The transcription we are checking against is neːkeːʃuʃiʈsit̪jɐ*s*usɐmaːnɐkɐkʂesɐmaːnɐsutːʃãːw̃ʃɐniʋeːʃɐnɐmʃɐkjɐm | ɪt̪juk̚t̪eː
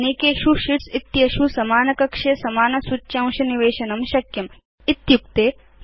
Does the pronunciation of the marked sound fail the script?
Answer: yes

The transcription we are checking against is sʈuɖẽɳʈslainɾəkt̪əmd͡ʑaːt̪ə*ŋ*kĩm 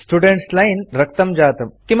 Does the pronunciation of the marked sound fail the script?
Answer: yes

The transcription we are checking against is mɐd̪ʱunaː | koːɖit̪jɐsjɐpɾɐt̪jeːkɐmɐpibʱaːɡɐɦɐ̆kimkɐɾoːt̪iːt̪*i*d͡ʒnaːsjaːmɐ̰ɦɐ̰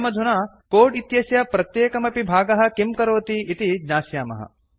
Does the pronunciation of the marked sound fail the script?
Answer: no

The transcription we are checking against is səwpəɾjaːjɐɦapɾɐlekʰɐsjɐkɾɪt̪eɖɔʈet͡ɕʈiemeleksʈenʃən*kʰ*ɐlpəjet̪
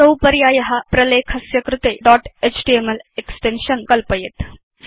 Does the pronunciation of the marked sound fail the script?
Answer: yes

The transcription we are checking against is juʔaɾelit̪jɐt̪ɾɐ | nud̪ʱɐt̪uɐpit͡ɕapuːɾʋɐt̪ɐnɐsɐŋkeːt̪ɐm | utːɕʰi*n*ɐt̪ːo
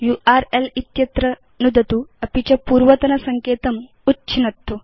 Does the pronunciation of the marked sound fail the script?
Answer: no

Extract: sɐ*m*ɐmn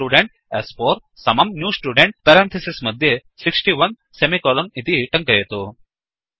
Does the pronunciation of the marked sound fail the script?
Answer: no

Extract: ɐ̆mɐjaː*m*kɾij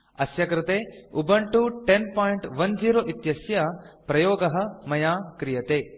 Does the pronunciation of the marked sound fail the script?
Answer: yes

